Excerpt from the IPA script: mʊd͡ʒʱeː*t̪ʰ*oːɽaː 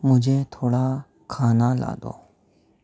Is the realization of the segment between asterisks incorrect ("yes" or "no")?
no